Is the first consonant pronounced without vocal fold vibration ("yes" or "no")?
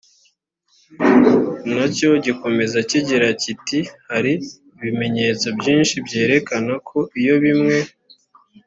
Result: no